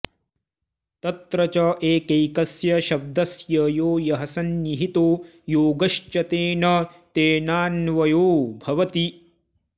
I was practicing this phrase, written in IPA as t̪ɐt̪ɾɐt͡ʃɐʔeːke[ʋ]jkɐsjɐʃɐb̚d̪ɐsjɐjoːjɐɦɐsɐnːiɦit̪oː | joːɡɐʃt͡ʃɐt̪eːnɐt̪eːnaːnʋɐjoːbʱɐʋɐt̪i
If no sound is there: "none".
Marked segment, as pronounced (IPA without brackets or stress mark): none